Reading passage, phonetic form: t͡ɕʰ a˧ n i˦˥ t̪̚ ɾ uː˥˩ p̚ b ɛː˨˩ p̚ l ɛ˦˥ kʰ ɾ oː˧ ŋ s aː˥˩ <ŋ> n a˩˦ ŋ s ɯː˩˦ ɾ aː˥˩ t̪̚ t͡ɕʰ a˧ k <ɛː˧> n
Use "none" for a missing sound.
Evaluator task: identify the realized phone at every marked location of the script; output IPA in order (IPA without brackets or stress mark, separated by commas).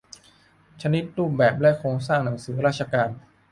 ŋ, aː˧